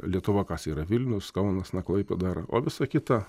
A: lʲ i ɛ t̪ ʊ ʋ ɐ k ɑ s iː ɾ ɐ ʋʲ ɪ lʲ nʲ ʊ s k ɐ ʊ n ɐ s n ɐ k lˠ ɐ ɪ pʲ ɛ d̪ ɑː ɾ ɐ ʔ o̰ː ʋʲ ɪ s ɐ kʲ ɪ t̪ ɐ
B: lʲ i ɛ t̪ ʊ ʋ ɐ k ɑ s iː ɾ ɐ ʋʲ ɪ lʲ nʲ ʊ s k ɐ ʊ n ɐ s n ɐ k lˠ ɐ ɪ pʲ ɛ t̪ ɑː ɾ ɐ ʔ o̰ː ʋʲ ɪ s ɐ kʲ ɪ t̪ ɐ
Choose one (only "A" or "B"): A